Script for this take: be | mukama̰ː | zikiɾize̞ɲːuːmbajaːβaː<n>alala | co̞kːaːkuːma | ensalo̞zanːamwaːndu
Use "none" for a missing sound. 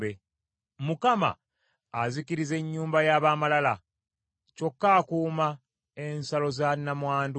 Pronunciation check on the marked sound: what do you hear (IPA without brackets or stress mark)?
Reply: m